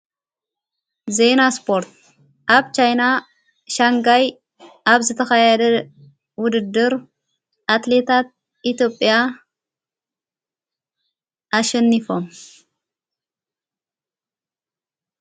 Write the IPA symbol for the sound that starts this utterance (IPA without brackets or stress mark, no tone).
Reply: z